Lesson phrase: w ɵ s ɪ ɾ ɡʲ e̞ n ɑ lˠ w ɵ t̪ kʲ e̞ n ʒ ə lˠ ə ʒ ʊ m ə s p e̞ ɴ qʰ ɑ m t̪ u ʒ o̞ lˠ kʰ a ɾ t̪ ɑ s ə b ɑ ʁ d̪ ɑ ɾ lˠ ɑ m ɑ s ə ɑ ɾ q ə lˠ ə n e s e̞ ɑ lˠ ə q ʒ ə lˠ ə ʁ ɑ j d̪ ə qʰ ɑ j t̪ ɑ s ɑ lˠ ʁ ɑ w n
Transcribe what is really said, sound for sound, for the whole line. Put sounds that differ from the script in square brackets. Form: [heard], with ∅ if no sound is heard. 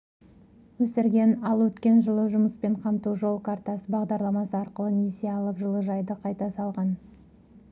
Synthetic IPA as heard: w ɵ s ɪ ɾ ɡʲ e̞ n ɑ lˠ w ɵ t̪ kʲ e̞ n ʒ ə lˠ ə ʒ ʊ m ə s p e̞ ɴ qʰ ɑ m t̪ u ʒ o̞ lˠ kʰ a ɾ t̪ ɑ s ə b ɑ ʁ d̪ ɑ ɾ lˠ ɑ m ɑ s ə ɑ ɾ q ə lˠ ə n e s e̞ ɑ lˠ ə [p] ʒ ə lˠ ə [ʒ] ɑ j d̪ ə qʰ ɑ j t̪ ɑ s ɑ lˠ ʁ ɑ [∅] n